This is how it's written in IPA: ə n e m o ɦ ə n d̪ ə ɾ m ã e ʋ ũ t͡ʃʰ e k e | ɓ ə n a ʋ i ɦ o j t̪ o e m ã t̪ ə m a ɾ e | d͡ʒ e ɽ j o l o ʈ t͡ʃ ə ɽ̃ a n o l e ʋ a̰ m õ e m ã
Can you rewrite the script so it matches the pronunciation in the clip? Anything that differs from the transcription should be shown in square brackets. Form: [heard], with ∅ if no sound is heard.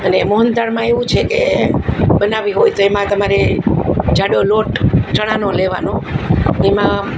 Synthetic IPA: ə n e m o ɦ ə n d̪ [a] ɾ m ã e ʋ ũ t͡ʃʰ e k e | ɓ ə n a ʋ i ɦ o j t̪ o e m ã t̪ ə m a ɾ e | d͡ʒ [a] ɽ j o l o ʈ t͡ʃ ə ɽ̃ a n o l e ʋ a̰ [n] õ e m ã